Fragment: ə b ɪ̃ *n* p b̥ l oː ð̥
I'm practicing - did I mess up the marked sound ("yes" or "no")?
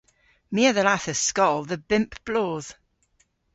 yes